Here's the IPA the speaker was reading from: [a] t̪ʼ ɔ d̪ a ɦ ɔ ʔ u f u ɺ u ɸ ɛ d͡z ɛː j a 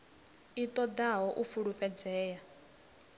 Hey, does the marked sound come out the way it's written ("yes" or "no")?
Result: no